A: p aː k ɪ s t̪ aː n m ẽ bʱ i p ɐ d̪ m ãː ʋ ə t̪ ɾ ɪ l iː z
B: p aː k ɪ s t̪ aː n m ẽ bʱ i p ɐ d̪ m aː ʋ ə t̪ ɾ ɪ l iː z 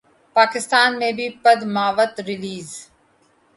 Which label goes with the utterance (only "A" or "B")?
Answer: B